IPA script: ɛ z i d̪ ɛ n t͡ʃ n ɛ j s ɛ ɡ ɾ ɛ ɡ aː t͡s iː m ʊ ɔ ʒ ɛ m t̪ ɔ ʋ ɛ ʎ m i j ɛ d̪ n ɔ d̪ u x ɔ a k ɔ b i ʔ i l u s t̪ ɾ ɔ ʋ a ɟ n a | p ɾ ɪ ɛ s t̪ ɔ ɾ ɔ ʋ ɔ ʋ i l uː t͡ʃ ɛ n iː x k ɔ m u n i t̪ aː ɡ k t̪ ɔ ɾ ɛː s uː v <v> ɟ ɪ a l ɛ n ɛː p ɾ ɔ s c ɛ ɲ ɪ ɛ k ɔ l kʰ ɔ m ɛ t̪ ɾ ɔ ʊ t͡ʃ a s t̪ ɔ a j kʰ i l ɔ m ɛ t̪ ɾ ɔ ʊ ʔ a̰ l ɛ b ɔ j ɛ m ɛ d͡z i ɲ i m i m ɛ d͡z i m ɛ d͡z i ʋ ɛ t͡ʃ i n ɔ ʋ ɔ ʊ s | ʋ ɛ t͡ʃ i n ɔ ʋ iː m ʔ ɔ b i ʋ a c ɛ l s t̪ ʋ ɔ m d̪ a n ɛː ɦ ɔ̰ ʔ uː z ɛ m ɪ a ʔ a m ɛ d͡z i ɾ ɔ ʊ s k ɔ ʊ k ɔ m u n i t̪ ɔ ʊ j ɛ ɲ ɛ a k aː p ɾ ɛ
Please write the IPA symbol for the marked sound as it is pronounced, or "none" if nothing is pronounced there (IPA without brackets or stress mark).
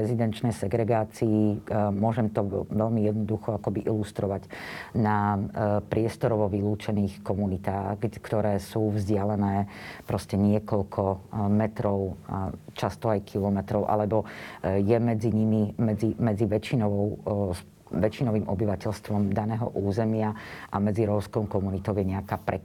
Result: z